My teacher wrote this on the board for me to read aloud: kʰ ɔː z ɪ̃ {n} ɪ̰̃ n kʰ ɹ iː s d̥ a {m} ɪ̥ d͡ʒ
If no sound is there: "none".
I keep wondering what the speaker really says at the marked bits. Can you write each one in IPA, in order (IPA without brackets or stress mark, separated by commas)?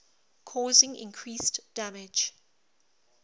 ŋ, m